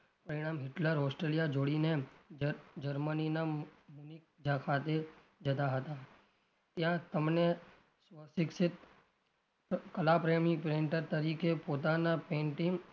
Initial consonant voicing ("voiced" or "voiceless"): voiceless